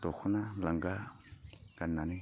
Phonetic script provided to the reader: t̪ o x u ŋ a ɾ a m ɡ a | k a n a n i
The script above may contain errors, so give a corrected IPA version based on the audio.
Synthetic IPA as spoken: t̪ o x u n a l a ŋ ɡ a | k a n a n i

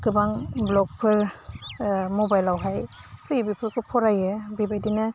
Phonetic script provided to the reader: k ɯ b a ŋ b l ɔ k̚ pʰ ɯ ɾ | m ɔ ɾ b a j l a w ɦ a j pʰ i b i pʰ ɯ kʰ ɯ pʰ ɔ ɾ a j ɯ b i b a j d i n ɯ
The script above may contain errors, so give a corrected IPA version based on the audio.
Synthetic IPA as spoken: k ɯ b a ŋ b l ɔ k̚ pʰ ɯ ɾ | m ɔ b a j l a w ɦ a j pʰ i b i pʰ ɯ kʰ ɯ pʰ ɔ ɾ a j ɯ b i b a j d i n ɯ

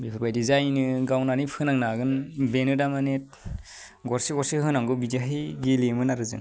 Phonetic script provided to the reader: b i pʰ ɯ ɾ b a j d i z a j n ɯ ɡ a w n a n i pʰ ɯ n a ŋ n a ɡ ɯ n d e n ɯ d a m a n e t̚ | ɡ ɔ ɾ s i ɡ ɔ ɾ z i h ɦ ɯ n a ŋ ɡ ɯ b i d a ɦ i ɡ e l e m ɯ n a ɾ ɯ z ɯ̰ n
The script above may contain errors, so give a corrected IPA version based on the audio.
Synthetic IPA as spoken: b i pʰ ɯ ɾ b a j d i z a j n ɯ ɡ a w n a n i pʰ ɯ n a ŋ n a ɡ ɯ n b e n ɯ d a m a n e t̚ | ɡ ɔ ɾ s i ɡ ɔ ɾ s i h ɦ ɯ n a ŋ ɡ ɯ b i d a ɦ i ɡ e l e m ɯ n a ɾ ɯ z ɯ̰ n

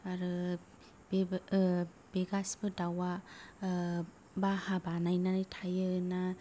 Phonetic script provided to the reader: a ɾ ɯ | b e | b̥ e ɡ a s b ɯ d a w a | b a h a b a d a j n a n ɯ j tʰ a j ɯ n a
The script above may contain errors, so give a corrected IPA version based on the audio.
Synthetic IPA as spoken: a ɾ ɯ | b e | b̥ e ɡ a s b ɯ d a w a | b a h a b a n a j n a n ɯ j tʰ a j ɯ n a

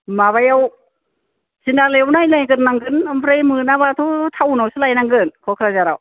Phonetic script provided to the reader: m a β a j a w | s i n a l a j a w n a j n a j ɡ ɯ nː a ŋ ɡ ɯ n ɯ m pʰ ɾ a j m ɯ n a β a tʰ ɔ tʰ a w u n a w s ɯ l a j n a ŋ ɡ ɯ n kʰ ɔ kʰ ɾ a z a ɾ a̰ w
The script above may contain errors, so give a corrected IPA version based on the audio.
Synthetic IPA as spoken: m a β a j a w | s i n a l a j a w n a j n a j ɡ ɯ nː a ŋ ɡ ɯ n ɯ m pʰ ɾ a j m ɯ n a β a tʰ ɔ tʰ a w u n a w s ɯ l a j n a ŋ ɡ ɯ n kʰ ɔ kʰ ɾ a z a ɾ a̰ w

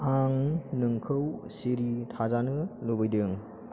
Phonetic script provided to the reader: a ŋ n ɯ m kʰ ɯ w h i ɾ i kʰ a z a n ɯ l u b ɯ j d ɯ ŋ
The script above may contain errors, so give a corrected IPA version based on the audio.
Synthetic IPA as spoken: a ŋ n ɯ ŋ kʰ ɯ w s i ɾ i tʰ a z a n ɯ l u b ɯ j d ɯ ŋ

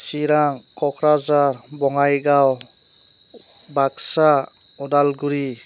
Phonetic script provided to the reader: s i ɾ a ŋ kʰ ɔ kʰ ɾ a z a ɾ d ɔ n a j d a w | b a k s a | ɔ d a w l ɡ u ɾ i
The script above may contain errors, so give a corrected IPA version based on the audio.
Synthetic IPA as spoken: s i ɾ a ŋ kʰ ɔ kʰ ɾ a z a ɾ b ɔ ŋ a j ɡ a w | b a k s a | ɔ d a l ɡ u ɾ i

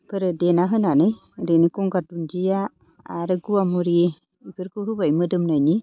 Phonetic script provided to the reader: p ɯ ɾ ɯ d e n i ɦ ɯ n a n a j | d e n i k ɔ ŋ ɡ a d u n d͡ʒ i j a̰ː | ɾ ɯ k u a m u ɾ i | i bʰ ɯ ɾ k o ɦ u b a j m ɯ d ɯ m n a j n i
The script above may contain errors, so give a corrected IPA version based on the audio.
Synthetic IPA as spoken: p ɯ ɾ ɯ d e n a ɦ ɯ n a n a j | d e n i k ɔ ŋ ɡ a d u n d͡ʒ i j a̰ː | ɾ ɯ ɡ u a m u ɾ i | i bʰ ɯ ɾ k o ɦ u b a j m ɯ d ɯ m n a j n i

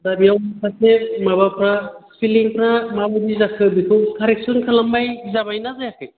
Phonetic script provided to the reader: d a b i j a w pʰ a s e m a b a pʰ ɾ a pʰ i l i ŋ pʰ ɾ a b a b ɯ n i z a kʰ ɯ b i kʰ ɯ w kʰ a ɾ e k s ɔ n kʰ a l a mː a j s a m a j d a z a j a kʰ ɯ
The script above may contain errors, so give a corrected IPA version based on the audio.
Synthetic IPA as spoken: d a b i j a w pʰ a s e m a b a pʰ ɾ a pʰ i l i ŋ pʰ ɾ a m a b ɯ d i z a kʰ ɯ b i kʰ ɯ w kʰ a ɾ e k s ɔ n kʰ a l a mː a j z a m a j n a z a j a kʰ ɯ

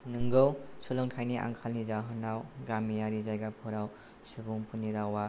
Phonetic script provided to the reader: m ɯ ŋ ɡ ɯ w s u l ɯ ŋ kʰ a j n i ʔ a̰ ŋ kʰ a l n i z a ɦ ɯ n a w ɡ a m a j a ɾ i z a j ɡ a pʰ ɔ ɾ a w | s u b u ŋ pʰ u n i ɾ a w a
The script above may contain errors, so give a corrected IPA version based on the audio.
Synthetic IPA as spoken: n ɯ ŋ ɡ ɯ w s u l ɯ ŋ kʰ a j n i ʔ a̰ ŋ kʰ a l n i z a ɦ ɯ n a w ɡ a m i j a ɾ i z a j ɡ a pʰ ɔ ɾ a w | s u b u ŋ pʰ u n i ɾ a w a

